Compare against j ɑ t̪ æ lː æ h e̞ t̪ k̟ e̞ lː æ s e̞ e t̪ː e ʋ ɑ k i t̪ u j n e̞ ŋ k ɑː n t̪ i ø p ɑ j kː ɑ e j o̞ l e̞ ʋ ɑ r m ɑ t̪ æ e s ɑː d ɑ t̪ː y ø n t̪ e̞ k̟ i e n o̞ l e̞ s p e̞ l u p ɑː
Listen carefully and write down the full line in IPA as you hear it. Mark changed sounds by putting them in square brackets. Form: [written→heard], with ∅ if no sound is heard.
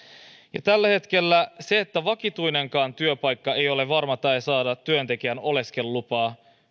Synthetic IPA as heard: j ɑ t̪ æ lː æ h e̞ t̪ k̟ e̞ lː æ s e̞ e t̪ː [e→æ] ʋ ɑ k i t̪ u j n e̞ ŋ k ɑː n t̪ [i→y] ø p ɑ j kː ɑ e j o̞ l e̞ ʋ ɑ r m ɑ t̪ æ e s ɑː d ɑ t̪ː y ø n t̪ e̞ k̟ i [e→æ] n o̞ l e̞ s [p→k] e̞ [l→lː] u p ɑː